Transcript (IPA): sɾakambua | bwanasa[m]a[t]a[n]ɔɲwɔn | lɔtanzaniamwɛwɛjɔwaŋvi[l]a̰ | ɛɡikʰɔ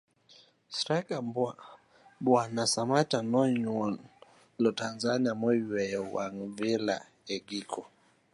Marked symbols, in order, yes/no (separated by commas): yes, yes, yes, yes